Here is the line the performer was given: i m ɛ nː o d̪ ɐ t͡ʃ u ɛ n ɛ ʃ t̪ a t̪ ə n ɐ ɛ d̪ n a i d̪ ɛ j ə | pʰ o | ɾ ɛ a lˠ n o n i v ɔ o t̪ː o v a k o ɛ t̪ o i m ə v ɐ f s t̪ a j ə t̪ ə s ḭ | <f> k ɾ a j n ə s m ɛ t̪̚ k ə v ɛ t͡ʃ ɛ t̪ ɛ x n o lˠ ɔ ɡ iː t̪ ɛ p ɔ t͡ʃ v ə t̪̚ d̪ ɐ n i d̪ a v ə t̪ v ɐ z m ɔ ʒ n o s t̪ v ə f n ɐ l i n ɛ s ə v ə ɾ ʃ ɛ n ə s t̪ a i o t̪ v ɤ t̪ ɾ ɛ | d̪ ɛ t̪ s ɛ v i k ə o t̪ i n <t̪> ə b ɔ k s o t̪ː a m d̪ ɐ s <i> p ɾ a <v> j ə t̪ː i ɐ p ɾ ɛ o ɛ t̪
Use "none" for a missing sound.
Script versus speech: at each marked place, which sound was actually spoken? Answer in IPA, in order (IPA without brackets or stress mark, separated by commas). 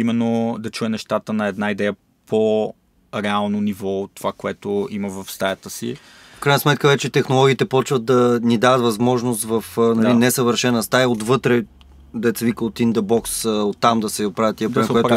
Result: f, d̪, ɛ, v